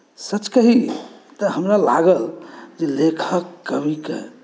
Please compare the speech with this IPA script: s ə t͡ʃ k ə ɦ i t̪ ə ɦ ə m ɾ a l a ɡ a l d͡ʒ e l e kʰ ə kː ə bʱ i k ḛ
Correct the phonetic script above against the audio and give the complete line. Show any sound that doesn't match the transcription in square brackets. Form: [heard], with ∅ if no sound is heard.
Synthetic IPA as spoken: s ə t͡ʃ k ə ɦ i t̪ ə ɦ ə m ɾ a l a ɡ [ə] l d͡ʒ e l e kʰ ə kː ə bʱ i k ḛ